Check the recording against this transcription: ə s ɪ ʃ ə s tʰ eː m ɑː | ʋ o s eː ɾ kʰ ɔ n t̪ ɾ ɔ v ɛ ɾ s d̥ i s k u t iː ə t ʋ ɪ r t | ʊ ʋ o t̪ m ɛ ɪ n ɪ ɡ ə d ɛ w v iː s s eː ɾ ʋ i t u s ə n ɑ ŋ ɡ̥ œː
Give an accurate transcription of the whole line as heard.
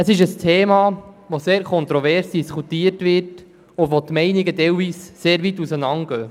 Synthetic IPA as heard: ə s ɪ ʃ ə s tʰ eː m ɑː | ʋ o s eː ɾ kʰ ɔ n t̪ ɾ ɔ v ɛ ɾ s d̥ i s k u t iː ə t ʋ ɪ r t | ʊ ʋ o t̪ m ɛ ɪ n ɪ ɡ ə d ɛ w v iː s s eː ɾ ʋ i t u s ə n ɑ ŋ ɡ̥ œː